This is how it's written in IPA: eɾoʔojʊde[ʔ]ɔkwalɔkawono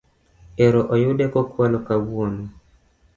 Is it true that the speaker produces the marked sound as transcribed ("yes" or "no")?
no